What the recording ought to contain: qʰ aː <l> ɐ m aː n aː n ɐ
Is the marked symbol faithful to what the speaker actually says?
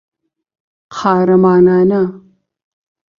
no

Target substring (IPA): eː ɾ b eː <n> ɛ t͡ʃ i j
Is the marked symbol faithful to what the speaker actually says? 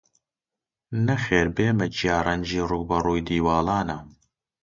no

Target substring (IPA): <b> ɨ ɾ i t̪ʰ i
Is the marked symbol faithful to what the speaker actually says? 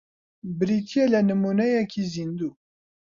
yes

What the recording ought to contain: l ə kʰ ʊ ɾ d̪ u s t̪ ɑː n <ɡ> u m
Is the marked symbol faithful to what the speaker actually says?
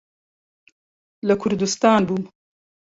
no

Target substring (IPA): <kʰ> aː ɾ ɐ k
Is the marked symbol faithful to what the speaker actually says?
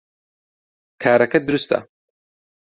yes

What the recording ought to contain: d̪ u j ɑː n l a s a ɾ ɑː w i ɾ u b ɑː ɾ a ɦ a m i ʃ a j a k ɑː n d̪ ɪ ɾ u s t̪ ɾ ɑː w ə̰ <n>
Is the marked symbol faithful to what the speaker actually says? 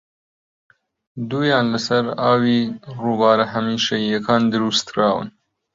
yes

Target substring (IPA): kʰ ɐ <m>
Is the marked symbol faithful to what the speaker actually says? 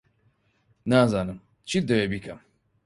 yes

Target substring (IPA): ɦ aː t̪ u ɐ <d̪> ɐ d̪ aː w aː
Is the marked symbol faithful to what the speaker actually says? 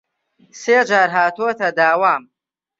no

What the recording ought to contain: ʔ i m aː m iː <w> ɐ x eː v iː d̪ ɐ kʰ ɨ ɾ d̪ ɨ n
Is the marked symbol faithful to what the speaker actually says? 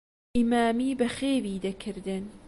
no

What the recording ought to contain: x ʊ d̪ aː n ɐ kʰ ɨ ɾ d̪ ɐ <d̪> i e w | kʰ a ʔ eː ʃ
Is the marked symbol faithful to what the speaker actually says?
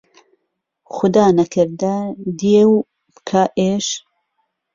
yes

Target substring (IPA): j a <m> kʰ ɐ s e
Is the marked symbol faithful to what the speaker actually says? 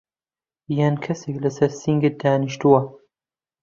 no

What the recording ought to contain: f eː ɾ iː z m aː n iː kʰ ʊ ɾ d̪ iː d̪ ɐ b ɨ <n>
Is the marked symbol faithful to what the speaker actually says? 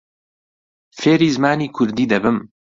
no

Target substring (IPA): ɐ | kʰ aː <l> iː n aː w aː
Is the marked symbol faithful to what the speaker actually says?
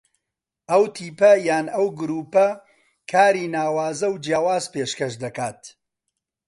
no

